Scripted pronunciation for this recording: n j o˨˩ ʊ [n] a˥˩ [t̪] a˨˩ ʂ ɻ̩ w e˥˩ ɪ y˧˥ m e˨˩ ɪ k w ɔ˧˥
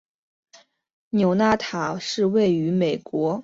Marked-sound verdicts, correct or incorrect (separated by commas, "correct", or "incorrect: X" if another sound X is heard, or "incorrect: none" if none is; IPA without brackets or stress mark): correct, incorrect: t̪ʰ